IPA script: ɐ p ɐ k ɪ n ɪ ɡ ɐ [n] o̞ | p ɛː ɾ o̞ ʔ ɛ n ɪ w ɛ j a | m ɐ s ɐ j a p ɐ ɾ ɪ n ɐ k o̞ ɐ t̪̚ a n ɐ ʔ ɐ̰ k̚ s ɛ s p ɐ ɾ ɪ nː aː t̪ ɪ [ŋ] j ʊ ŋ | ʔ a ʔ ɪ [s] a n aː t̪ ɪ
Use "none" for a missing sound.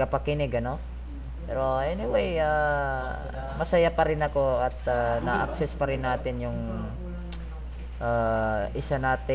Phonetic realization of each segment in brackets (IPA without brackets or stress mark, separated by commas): n, n, s